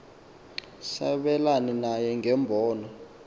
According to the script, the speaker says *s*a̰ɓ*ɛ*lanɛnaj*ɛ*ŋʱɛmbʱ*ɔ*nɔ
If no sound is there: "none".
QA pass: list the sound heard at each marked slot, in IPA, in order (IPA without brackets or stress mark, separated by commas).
s, ɛ, ɛ, ɔː